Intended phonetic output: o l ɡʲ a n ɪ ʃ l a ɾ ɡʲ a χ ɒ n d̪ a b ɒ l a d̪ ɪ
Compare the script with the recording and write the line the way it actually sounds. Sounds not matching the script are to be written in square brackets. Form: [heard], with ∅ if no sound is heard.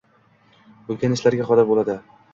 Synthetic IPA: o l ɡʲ a n ɪ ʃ l a ɾ ɡʲ a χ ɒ [∅] d̪ a b [o] l a d̪ ɪ